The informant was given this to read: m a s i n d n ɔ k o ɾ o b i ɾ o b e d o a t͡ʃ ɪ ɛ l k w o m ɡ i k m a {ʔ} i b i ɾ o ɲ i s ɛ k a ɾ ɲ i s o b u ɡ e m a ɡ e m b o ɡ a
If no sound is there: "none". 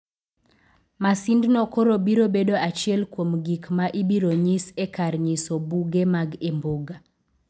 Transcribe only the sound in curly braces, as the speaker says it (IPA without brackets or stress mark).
ʔ